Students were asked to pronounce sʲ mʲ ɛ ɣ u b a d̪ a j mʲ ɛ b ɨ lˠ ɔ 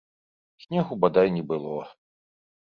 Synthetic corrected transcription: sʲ nʲ ɛ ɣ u b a d̪ a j nʲ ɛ b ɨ lˠ ɔ